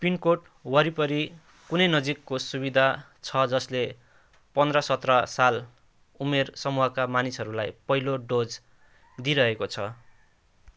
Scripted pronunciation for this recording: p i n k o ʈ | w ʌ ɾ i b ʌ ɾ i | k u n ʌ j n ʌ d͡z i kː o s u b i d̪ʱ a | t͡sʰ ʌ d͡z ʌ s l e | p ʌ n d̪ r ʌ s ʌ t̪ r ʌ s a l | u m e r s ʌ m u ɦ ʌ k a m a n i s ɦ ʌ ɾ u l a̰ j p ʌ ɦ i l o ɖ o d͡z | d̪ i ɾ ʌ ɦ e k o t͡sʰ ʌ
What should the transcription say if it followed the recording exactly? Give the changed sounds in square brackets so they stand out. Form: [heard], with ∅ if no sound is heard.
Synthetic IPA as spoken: p i n k o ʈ | w ʌ ɾ i [p] ʌ ɾ i | k u n ʌ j n ʌ d͡z i kː o s u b i d̪ʱ a | t͡sʰ ʌ d͡z ʌ s l e | p ʌ n d̪ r ʌ s ʌ t̪ r ʌ s a l | u m e r s ʌ m u ɦ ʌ k a m a n i s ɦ ʌ ɾ u l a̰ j p ʌ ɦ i l o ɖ o d͡z | d̪ i ɾ ʌ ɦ e k o t͡sʰ ʌ